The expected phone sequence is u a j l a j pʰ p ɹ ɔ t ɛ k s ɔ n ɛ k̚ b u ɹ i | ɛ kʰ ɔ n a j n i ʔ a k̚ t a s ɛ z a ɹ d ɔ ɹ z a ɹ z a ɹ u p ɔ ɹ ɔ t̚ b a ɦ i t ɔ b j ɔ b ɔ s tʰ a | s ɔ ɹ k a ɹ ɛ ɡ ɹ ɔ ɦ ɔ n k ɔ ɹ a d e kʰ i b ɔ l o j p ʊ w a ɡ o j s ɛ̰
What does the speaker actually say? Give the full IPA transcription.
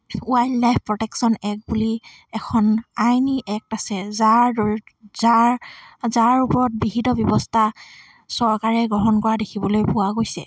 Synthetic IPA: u a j l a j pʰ p ɹ ɔ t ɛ k s ɔ n ɛ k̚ b u l i | ɛ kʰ ɔ n a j n i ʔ ɛ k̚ t a s ɛ z a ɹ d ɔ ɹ z a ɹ z a ɹ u p ɔ ɹ ɔ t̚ b i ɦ i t ɔ b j ɔ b ɔ s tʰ a | s ɔ ɹ k a ɹ ɛ ɡ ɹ ɔ ɦ ɔ n k ɔ ɹ a d e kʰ i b ɔ l o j p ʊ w a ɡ o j s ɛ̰